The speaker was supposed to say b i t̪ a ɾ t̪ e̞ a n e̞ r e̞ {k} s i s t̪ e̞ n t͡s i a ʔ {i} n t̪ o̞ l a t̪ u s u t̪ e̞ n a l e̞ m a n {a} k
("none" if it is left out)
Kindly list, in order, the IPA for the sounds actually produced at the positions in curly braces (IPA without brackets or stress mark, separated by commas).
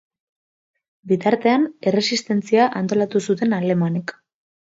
none, a, e